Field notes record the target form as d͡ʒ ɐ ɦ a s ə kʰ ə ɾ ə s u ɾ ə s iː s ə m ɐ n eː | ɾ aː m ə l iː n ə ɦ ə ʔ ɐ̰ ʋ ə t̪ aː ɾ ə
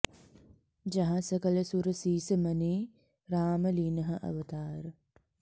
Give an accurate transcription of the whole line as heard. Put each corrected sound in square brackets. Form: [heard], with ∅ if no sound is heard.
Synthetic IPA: d͡ʒ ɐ ɦ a s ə [k] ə [l] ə s u ɾ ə s iː s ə m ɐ n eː | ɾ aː m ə l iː n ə ɦ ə ʔ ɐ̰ ʋ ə t̪ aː ɾ ə